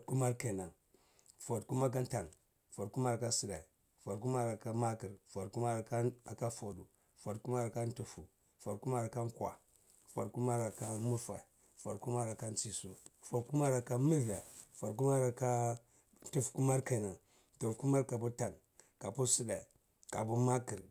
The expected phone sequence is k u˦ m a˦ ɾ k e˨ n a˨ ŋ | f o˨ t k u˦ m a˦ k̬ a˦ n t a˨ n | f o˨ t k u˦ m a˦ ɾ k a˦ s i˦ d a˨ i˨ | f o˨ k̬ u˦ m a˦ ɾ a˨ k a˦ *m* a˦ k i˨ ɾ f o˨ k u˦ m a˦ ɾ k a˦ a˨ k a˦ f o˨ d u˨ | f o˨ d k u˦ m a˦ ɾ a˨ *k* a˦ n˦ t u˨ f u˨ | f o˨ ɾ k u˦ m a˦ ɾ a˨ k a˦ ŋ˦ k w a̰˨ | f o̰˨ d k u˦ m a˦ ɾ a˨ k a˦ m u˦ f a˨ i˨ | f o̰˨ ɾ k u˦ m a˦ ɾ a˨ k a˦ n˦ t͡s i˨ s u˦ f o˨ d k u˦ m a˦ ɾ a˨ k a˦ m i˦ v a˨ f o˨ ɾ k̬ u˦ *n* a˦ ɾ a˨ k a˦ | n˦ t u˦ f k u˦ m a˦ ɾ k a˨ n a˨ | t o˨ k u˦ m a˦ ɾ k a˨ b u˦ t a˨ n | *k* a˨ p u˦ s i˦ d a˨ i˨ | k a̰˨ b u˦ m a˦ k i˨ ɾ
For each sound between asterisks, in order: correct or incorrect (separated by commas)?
correct, correct, incorrect, correct